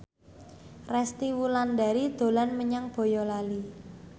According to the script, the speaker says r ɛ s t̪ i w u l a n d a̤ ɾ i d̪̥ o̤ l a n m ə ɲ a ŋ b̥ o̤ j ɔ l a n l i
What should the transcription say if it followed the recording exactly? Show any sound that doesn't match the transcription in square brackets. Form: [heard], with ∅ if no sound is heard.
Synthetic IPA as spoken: r ɛ s t̪ i w u l a n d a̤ ɾ i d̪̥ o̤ l a n m ə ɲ a ŋ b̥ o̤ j ɔ l a [∅] l i